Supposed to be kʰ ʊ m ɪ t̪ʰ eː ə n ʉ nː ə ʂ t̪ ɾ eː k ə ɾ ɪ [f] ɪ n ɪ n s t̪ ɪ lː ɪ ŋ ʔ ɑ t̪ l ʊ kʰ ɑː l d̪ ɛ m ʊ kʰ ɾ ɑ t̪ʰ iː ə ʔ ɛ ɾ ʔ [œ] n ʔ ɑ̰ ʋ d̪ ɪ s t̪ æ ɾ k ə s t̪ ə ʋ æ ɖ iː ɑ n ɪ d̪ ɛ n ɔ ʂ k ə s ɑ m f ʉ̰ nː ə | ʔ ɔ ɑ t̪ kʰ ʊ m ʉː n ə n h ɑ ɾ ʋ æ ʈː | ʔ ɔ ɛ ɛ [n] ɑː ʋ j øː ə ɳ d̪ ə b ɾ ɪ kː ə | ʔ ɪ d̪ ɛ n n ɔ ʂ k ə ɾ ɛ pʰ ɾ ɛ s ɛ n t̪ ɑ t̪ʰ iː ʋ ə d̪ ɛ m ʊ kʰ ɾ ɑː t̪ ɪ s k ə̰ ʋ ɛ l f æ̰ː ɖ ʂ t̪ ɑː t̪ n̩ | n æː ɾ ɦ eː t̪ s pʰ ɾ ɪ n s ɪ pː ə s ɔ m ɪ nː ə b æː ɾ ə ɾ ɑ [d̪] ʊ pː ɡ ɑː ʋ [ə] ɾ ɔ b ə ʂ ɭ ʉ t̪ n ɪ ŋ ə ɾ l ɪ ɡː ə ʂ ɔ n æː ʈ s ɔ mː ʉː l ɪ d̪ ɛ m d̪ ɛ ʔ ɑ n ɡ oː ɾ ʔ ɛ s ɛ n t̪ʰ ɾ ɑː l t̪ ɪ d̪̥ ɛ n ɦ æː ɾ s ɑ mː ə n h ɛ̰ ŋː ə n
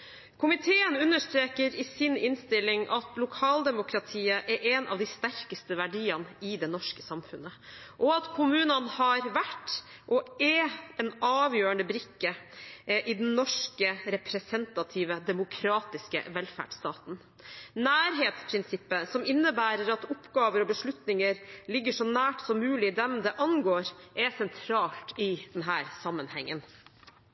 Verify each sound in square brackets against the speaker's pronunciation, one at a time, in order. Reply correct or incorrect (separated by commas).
incorrect, incorrect, correct, incorrect, correct